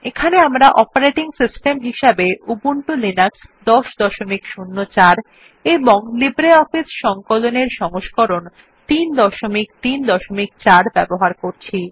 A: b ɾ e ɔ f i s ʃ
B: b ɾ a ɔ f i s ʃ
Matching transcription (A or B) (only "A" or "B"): A